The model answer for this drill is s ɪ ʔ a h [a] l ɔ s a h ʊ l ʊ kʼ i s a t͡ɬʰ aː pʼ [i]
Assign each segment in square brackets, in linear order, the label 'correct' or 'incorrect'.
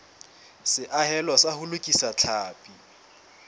incorrect, correct

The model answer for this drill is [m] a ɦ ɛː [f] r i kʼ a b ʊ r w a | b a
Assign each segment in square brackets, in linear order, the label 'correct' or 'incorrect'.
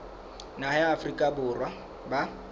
incorrect, correct

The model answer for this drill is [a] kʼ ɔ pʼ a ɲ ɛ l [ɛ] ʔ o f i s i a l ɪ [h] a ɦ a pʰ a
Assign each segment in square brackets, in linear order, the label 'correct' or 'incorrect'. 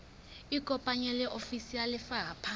incorrect, correct, incorrect

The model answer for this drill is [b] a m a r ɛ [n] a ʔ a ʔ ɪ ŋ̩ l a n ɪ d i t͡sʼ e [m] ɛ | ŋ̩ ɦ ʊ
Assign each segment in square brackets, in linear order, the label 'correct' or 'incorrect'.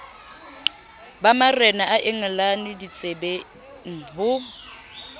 correct, correct, incorrect

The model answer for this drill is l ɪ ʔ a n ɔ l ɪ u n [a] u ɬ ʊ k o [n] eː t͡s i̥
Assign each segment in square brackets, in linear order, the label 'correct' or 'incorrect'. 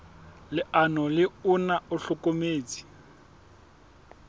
correct, incorrect

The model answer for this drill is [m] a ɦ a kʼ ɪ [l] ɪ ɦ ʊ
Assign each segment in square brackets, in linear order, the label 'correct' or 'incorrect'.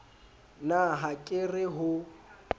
incorrect, incorrect

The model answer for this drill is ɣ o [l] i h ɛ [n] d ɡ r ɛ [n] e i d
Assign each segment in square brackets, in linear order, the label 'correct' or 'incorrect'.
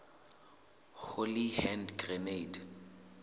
correct, correct, correct

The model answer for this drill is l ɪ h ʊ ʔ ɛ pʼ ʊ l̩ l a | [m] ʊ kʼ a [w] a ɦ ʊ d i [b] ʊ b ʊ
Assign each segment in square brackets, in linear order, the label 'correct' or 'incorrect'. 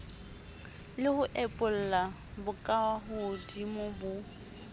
incorrect, correct, incorrect

